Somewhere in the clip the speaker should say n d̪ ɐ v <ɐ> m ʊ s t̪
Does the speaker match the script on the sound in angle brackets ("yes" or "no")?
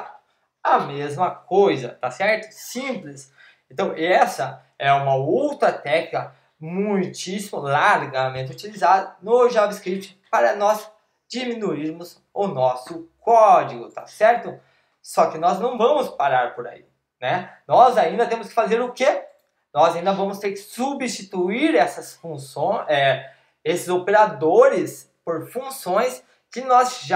no